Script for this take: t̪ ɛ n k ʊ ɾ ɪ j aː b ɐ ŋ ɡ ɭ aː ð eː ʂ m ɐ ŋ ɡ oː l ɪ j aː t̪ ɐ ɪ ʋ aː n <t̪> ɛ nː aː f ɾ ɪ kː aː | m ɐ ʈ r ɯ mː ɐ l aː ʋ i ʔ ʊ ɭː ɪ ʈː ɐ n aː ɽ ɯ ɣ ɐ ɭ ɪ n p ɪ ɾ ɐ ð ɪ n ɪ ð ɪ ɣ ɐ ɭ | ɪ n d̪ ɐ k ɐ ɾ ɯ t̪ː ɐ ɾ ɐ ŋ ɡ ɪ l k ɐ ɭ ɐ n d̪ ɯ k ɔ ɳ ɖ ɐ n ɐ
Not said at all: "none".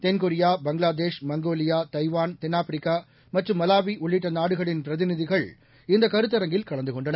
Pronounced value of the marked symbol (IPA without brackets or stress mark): t̪